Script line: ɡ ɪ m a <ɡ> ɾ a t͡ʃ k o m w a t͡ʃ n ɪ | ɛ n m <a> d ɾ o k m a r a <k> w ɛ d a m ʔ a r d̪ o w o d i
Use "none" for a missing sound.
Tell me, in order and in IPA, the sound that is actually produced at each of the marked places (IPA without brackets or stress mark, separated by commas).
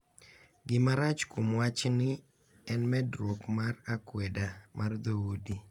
none, ɛ, k